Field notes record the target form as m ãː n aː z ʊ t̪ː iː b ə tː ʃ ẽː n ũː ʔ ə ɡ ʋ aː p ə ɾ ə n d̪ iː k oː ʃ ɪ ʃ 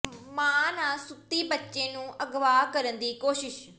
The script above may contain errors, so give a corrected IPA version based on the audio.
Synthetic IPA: m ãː n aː s ʊ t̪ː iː b ə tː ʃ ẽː n ũː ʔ ə ɡ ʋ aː k ə ɾ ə n d̪ iː k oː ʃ ɪ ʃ